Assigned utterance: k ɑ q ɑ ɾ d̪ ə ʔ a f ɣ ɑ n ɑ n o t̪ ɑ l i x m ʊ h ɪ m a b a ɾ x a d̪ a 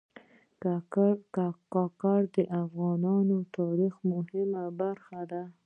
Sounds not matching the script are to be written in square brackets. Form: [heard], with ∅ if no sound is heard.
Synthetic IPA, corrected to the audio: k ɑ [k] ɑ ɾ d̪ ə ʔ a f ɣ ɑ n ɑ n o t̪ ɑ [ɾ] i x m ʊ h ɪ m a b a ɾ x a d̪ a